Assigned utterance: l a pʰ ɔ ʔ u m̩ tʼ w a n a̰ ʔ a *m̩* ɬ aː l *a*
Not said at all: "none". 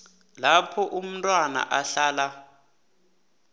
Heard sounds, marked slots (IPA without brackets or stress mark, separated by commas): none, a